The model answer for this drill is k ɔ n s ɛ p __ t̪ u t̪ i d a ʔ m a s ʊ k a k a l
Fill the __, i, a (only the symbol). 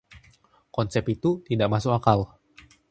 i